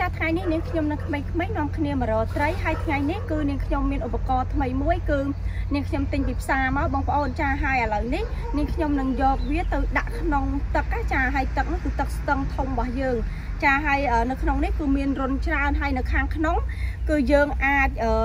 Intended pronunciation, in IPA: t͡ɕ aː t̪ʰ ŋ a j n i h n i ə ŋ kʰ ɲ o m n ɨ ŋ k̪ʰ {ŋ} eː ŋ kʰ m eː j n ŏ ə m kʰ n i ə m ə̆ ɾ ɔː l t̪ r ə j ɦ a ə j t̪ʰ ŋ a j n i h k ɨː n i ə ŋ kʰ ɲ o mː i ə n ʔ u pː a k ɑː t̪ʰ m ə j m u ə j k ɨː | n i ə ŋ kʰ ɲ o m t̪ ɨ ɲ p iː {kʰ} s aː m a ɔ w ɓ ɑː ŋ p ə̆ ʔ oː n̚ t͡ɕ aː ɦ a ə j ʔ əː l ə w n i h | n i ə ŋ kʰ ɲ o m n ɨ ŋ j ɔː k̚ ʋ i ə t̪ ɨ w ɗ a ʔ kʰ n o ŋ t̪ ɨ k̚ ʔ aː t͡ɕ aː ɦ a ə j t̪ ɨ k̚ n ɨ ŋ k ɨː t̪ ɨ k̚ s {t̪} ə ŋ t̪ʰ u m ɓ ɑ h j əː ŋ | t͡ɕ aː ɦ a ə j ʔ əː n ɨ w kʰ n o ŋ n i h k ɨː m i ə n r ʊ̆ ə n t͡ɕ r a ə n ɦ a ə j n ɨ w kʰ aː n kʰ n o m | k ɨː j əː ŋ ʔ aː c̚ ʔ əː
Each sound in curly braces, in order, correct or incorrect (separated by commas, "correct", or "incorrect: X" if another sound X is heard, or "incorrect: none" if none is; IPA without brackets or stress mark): incorrect: m, incorrect: pʰ, correct